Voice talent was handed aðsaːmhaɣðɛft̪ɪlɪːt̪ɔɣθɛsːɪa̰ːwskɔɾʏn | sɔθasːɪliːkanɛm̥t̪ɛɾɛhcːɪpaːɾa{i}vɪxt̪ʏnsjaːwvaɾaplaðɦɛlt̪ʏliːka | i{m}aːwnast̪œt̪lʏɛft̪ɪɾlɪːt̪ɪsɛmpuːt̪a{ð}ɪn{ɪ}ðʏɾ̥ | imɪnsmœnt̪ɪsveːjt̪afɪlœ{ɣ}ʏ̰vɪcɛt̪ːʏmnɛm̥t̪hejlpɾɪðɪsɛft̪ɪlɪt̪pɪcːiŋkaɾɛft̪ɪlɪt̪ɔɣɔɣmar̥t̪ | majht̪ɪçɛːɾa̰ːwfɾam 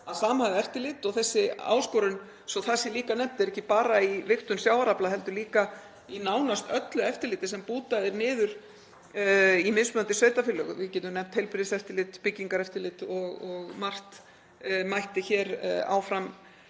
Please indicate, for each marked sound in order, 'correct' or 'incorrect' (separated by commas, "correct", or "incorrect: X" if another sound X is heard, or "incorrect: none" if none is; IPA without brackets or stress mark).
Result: correct, incorrect: n, correct, incorrect: ɪː, correct